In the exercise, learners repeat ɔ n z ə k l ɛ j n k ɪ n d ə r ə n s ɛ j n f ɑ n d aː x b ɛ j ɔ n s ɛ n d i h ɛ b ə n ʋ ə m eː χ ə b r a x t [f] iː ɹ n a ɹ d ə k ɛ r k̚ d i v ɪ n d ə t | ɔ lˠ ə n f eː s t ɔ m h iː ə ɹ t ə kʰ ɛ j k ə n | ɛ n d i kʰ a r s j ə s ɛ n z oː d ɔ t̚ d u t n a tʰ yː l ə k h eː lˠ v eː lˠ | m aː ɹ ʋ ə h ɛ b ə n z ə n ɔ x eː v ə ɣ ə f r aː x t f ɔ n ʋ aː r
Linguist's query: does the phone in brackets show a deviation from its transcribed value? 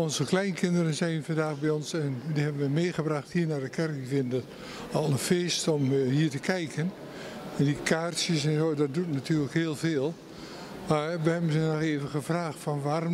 yes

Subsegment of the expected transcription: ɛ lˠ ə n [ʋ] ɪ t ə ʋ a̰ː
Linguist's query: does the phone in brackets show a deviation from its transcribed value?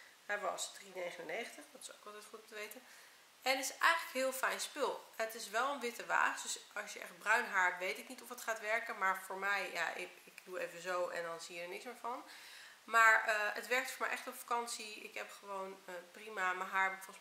no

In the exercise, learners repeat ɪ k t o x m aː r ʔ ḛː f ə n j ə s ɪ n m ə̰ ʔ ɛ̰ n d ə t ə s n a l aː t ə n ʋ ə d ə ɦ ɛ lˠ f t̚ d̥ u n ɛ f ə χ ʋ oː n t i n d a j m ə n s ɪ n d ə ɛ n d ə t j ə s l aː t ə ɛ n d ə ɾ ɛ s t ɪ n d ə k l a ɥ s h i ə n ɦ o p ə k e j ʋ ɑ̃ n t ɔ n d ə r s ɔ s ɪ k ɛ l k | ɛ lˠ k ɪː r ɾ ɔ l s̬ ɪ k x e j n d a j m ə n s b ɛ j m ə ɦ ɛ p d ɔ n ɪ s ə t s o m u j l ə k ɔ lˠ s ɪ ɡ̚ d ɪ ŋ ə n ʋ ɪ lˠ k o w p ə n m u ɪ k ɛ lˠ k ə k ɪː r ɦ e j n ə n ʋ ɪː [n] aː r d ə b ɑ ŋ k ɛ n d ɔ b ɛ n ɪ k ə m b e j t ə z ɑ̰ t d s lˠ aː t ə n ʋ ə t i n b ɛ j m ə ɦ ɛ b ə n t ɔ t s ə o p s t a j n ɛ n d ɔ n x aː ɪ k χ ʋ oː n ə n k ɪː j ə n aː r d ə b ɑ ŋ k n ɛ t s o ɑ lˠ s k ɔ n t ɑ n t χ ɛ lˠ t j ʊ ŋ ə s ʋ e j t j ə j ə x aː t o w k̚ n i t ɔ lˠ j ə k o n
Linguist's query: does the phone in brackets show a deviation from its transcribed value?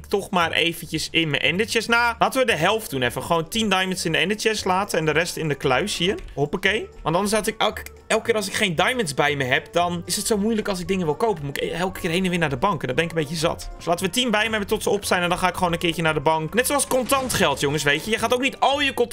no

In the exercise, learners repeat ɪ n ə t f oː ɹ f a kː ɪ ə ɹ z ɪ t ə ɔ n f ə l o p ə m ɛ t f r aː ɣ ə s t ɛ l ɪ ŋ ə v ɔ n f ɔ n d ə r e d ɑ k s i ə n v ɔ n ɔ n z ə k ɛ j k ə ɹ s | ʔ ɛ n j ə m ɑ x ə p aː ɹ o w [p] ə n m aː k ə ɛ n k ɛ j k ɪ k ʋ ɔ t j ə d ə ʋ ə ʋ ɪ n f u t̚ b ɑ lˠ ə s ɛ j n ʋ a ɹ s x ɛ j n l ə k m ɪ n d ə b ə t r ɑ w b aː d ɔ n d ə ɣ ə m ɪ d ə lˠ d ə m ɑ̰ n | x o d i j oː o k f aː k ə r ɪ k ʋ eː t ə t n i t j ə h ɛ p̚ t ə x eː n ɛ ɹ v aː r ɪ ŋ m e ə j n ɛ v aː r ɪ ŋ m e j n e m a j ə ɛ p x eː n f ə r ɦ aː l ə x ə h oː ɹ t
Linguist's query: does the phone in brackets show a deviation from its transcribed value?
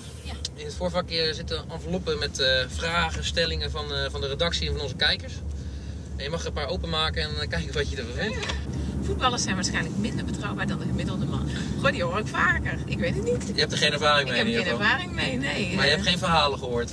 no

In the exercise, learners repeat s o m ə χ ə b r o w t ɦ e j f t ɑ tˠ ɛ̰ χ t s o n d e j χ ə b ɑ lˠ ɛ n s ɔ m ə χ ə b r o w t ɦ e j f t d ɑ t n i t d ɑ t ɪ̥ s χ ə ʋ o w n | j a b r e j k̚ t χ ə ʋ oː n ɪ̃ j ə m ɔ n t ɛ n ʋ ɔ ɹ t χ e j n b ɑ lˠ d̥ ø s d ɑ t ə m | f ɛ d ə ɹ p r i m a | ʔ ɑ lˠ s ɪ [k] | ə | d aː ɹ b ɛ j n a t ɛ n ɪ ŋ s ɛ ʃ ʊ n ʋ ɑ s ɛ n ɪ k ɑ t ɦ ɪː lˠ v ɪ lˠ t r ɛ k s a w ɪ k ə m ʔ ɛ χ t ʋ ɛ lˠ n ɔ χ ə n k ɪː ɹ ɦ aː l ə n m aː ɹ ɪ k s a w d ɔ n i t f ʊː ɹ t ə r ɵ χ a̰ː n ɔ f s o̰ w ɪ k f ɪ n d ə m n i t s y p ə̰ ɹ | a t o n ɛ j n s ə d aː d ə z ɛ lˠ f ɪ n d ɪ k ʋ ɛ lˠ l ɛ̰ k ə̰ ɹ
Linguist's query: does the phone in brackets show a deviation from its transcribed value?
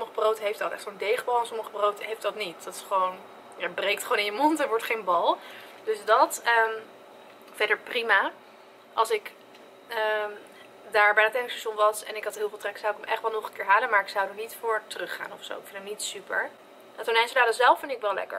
no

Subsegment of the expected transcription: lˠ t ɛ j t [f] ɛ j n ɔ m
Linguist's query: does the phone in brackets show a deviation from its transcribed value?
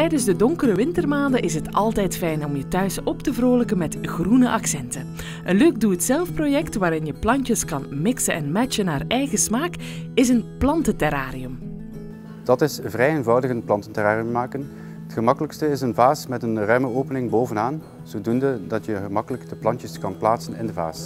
no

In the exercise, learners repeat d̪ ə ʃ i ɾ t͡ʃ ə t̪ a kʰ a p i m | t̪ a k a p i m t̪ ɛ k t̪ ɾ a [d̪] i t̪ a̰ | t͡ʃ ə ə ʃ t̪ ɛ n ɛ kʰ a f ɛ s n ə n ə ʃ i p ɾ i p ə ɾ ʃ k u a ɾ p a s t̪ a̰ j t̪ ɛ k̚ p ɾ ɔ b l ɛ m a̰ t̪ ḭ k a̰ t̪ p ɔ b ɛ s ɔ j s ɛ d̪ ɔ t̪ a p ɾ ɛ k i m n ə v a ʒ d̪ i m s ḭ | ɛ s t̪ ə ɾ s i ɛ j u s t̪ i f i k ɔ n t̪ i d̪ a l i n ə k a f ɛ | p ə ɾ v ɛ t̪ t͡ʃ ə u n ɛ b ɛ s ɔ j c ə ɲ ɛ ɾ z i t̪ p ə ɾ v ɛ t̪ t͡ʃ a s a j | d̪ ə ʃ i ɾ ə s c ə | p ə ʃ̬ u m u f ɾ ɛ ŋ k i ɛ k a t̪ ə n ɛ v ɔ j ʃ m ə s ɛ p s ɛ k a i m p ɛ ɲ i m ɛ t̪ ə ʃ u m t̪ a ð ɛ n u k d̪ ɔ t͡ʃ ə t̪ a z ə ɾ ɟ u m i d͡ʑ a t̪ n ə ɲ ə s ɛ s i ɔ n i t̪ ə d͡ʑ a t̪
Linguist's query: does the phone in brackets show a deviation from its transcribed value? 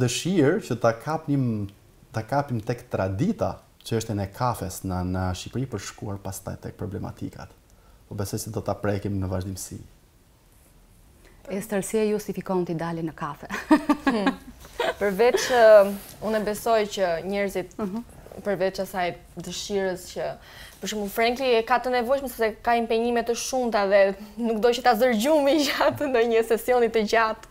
no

